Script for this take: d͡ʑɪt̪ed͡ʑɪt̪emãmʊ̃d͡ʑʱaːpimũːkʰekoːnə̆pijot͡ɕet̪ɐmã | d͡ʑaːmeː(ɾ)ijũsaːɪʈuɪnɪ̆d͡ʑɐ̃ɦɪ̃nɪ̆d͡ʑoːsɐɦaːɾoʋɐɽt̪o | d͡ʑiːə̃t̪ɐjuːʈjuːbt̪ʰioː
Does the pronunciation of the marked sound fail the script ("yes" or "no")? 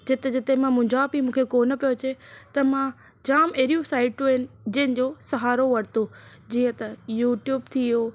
no